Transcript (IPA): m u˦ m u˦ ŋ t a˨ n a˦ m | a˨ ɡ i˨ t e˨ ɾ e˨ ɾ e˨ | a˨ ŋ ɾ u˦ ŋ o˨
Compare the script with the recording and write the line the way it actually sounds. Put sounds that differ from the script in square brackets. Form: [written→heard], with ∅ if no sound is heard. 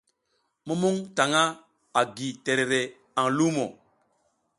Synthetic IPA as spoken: m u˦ m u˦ ŋ t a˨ [n→ŋ] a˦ [m→∅] | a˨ ɡ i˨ t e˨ ɾ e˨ ɾ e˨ | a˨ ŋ [ɾ→l] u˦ [ŋ→m] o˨